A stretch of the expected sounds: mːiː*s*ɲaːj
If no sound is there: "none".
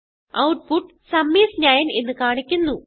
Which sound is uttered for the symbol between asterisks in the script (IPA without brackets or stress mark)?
s